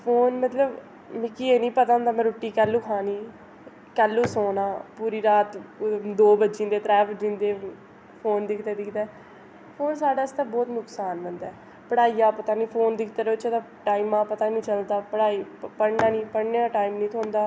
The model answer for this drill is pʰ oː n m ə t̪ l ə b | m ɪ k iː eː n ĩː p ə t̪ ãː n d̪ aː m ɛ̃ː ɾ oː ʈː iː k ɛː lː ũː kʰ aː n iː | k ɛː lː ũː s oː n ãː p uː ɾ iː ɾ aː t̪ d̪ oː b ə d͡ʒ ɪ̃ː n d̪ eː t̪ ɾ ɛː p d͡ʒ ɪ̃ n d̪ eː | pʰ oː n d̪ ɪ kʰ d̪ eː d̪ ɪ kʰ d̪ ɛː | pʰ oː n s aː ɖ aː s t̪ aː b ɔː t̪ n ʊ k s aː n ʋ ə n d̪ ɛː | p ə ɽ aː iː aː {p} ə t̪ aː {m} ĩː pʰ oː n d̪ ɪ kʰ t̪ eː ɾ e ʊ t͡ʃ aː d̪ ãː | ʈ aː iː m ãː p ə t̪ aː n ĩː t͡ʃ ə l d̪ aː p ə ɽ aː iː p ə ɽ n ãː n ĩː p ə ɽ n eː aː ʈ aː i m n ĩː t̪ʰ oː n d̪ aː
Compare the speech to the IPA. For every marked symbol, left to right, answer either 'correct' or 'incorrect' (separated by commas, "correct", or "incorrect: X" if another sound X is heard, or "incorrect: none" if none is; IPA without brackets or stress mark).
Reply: correct, incorrect: n